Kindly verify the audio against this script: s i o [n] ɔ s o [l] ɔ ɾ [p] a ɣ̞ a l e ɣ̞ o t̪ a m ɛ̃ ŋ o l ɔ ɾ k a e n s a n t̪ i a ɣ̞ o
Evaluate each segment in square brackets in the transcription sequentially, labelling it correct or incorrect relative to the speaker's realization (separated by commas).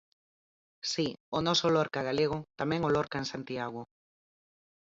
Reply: correct, correct, incorrect